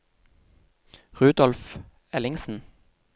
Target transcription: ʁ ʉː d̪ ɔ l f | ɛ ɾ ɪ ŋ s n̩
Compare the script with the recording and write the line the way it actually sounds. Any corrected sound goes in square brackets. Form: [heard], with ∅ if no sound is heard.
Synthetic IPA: ʁ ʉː d̪ ɔ l f | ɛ [l] ɪ ŋ s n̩